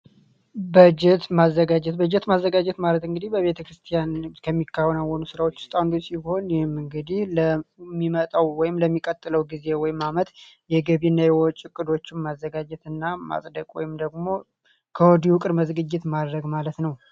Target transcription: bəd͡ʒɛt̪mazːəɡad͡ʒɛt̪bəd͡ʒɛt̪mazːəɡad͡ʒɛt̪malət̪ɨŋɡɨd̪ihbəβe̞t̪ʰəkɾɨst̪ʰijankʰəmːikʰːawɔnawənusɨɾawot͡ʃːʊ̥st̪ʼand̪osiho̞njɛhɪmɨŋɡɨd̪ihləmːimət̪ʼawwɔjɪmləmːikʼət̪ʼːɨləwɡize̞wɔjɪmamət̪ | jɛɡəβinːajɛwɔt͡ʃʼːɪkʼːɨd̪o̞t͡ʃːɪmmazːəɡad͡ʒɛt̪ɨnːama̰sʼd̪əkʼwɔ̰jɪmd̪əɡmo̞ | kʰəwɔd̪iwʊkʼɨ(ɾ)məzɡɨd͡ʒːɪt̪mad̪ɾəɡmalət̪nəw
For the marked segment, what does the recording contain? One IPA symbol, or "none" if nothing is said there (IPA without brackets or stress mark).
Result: ɾ